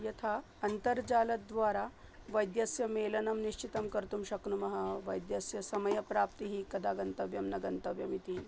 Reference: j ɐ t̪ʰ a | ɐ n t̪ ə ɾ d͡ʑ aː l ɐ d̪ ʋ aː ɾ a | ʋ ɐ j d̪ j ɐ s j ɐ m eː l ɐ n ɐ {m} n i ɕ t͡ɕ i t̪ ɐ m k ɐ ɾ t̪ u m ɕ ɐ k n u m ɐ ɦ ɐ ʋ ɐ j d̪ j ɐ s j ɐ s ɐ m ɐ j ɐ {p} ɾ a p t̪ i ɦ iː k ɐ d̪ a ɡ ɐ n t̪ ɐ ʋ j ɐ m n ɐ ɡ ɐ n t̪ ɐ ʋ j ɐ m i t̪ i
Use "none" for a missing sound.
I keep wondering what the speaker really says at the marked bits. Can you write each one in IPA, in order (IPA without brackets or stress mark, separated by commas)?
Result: m, p